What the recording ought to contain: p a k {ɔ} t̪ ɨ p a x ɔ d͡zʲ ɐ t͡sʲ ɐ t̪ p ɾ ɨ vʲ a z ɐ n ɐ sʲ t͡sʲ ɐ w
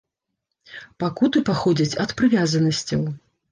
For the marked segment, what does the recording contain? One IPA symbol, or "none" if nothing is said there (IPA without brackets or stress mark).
u